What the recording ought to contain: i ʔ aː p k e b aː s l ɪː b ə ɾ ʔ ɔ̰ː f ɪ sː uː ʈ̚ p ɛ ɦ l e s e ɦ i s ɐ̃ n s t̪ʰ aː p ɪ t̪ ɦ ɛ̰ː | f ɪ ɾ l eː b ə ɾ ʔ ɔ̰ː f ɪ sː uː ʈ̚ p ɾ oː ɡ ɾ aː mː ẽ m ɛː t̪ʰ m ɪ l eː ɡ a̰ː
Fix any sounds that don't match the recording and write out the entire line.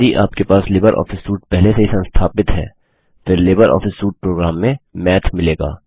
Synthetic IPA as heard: i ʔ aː p k e p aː s l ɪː b ə ɾ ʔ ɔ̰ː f ɪ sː uː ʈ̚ p ɛ ɦ l e s e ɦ i s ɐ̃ n s t̪ʰ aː p ɪ t̪ ɦ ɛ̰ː | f ɪ ɾ l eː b ə ɾ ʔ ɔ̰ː f ɪ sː uː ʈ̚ p ɾ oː ɡ ɾ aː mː ẽ m ɛː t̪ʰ m ɪ l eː ɡ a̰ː